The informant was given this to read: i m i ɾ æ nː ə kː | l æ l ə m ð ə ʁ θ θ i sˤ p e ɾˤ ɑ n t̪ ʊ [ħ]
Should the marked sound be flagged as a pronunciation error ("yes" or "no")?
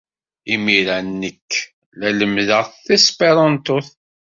yes